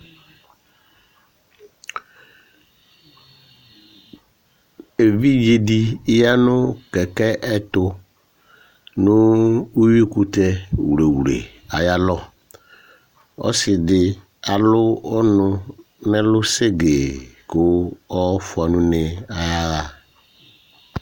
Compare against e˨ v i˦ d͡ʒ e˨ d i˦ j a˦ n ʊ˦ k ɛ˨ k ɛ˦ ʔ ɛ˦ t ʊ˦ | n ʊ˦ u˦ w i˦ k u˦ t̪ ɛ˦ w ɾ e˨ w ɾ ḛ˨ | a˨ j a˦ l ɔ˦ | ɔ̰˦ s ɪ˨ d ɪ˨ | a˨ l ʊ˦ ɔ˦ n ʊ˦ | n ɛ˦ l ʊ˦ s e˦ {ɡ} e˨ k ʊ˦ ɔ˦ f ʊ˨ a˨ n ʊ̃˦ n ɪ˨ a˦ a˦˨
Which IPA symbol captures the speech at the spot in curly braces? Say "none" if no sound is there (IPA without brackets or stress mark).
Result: ɡ